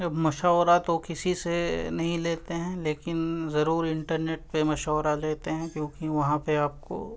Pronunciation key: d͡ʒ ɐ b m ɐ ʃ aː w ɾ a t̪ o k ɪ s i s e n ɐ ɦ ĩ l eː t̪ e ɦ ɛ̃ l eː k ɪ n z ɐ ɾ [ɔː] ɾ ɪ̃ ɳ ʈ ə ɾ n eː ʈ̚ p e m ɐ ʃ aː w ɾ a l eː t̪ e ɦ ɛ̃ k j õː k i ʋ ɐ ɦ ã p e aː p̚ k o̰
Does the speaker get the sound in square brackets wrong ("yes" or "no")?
yes